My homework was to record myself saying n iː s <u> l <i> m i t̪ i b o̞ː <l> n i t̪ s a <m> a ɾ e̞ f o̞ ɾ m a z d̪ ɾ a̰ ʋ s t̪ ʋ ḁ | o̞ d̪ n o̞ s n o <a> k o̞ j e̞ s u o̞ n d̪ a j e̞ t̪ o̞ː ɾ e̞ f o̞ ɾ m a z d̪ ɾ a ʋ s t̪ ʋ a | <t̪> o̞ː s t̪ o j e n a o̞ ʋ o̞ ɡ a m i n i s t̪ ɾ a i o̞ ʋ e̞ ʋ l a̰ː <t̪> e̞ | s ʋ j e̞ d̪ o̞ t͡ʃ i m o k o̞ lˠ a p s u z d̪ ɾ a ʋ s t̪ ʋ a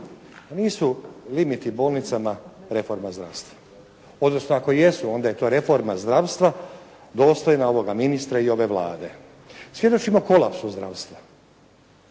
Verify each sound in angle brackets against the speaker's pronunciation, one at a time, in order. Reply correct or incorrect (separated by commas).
correct, correct, correct, correct, correct, incorrect, incorrect